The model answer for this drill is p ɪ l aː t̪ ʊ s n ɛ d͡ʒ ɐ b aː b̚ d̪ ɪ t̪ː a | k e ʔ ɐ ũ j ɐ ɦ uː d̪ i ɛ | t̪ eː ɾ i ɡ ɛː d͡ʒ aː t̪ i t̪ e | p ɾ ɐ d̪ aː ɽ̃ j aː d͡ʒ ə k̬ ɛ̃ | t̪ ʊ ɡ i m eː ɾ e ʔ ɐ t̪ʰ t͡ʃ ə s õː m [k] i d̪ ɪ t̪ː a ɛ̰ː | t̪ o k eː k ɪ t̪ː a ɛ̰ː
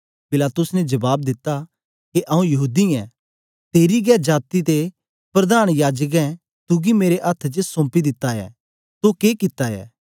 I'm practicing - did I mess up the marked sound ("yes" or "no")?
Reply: yes